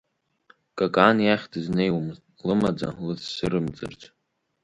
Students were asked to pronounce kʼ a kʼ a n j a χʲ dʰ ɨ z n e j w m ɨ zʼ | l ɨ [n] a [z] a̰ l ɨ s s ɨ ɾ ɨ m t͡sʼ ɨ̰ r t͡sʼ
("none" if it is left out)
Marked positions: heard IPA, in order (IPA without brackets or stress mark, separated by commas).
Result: m, d͡z